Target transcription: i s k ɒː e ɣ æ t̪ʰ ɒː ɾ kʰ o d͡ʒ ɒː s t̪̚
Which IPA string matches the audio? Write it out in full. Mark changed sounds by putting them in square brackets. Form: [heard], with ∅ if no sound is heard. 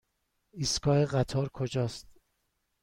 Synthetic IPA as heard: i s k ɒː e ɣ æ t̪ʰ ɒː ɾ kʰ o d͡ʒ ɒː s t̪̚